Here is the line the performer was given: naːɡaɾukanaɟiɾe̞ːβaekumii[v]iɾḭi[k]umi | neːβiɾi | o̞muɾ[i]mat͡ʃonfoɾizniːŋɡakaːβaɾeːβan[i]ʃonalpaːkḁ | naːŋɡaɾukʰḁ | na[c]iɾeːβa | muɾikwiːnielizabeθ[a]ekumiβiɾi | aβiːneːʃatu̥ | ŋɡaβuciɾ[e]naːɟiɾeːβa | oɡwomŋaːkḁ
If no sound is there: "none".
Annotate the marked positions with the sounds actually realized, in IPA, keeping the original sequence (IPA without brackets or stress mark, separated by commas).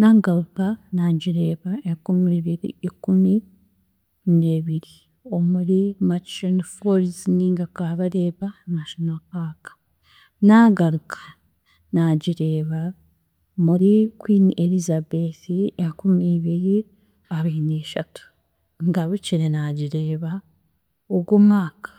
β, k, i, a, ɟ, i, e